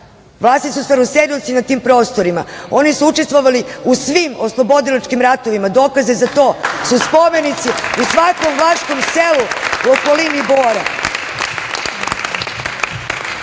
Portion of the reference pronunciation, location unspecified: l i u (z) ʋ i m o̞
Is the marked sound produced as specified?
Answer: no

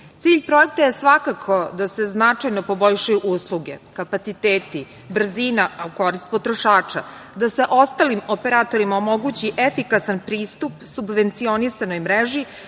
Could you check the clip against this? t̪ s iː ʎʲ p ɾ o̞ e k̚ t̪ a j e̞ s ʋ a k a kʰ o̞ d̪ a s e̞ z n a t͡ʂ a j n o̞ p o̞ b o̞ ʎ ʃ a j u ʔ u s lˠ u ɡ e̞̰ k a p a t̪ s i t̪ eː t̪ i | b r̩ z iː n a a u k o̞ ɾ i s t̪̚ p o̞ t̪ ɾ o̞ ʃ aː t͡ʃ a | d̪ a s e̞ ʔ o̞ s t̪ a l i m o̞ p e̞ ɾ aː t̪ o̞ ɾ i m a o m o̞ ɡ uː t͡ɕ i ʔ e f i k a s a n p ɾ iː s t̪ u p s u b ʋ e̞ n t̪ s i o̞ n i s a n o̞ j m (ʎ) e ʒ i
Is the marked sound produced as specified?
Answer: no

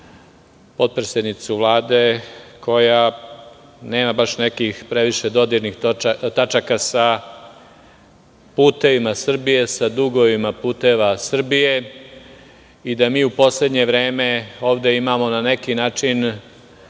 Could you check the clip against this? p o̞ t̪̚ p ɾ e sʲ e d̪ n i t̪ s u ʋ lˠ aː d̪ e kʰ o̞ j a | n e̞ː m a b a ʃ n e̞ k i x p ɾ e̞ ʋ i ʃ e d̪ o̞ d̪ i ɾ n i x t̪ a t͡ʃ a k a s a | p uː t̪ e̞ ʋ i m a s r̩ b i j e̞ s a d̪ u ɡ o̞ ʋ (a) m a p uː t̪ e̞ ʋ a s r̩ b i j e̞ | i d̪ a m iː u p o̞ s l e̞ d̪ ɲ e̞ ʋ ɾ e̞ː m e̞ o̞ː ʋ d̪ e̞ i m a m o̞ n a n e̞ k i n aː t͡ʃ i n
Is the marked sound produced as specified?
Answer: no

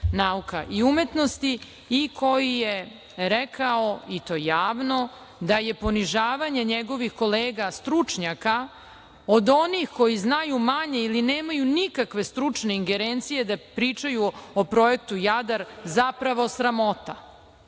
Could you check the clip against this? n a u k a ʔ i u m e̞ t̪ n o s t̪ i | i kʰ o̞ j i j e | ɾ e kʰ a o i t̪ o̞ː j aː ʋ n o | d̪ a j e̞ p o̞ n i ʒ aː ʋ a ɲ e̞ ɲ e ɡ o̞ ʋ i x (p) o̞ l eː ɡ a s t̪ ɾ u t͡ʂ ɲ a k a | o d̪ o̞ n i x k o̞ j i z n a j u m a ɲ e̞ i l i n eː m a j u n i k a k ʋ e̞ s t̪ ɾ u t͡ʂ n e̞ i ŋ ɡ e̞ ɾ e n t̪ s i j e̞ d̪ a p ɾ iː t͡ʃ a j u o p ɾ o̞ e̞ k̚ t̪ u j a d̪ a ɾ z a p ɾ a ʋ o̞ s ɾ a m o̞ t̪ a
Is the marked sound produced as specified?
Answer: no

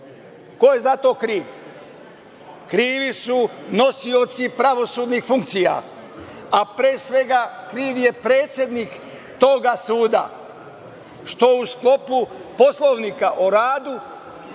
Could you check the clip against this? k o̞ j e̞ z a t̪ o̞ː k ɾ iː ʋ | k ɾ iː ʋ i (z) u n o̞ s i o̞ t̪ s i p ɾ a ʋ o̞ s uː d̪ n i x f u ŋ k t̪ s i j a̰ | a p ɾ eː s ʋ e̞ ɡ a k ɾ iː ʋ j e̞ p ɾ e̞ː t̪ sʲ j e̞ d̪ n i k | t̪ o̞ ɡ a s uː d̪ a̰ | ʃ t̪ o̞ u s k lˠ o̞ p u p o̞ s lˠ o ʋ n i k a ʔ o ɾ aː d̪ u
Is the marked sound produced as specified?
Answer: no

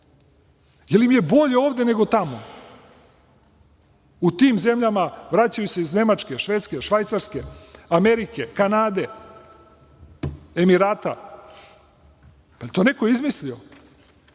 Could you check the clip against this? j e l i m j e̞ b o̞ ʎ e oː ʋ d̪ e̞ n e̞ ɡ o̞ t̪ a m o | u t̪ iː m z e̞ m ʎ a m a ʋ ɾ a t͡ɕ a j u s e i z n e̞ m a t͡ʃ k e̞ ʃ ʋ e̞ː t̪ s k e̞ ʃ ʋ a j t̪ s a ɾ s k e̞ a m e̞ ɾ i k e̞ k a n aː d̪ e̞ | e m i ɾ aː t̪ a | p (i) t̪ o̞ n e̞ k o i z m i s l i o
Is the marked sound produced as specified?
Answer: no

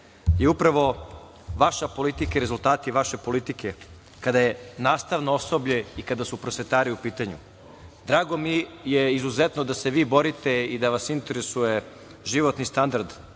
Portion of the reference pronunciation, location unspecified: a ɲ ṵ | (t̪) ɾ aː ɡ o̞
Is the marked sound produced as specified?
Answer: no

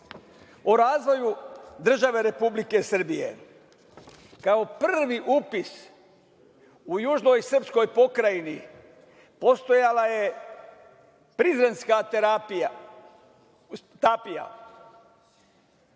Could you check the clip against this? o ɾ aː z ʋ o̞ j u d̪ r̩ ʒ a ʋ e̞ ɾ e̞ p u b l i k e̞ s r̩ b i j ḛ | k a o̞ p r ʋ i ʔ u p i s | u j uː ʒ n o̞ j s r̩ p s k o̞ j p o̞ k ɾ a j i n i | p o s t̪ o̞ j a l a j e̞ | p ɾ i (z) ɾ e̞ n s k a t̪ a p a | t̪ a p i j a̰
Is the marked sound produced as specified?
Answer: yes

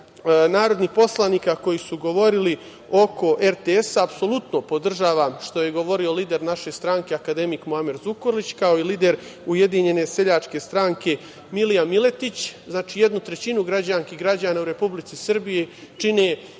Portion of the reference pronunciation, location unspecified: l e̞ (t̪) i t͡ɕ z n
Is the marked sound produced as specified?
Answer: yes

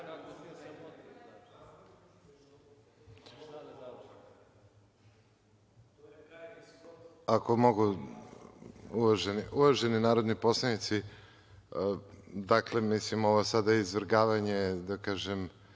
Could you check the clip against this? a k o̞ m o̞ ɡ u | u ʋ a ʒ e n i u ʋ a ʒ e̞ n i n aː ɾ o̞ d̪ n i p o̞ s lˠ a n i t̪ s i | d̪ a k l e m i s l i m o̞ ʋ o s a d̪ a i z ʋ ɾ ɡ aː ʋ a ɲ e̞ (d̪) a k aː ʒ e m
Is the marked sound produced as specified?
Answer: yes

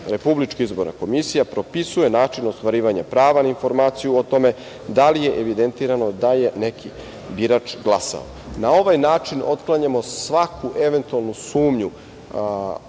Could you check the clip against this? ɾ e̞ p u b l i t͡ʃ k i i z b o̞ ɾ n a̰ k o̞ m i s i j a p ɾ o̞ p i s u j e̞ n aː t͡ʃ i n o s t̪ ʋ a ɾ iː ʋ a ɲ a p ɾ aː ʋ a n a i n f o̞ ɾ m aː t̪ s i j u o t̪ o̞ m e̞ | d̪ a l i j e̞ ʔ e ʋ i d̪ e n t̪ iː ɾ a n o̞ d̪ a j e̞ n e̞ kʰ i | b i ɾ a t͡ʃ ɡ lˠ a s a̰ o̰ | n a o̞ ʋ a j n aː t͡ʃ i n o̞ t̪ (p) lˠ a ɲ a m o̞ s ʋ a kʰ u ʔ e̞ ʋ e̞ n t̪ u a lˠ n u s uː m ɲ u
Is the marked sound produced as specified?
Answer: no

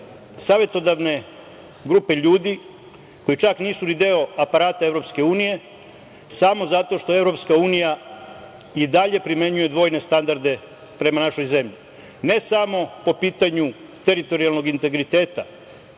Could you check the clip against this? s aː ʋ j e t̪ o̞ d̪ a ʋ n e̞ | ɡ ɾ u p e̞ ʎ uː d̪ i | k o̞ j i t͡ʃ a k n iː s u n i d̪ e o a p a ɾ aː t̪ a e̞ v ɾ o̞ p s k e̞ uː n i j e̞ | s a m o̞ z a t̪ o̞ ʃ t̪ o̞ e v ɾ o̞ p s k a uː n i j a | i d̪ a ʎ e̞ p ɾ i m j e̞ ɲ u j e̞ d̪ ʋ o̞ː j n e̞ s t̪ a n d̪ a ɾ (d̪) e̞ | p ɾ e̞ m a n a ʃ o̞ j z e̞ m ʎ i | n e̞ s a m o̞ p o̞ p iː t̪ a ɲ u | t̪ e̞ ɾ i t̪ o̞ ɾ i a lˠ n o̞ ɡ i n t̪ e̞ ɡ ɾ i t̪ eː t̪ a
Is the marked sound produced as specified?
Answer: yes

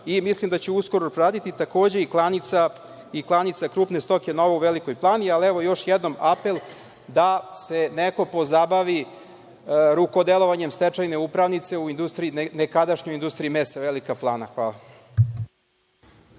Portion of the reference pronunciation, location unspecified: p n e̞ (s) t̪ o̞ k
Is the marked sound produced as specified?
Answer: yes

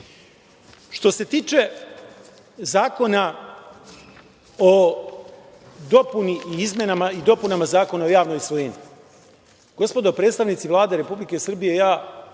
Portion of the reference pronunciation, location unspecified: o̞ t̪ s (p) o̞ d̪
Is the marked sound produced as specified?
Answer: yes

